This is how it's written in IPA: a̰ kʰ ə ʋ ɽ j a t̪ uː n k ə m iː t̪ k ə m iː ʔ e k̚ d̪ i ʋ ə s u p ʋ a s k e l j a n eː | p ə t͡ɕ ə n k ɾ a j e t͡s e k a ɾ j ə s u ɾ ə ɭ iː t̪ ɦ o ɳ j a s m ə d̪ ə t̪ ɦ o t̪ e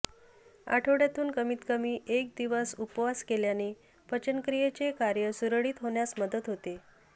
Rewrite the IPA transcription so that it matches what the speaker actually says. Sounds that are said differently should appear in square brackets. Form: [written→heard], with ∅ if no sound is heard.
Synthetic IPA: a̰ [kʰ→ʈʰ] ə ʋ ɽ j a t̪ uː n k ə m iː t̪ k ə m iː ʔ e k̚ d̪ i ʋ ə s u p ʋ a s k e l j a n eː | p ə t͡ɕ ə n k ɾ [a→i] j e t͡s e k a ɾ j ə s u ɾ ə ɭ iː t̪ ɦ o ɳ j a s m ə d̪ ə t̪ ɦ o t̪ e